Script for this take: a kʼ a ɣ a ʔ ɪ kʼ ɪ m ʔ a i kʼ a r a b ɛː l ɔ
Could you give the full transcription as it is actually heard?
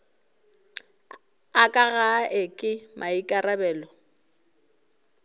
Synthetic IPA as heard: a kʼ a ɣ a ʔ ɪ kʼ ɪ m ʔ a i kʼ a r a b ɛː l ɔ